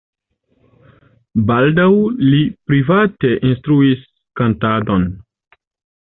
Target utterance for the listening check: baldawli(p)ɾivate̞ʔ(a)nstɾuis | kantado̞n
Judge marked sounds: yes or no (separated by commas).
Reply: yes, no